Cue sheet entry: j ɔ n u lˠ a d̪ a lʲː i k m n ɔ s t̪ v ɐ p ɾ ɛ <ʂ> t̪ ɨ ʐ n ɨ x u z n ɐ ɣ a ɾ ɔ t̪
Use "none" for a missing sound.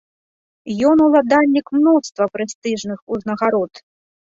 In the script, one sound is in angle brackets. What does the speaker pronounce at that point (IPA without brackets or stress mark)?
s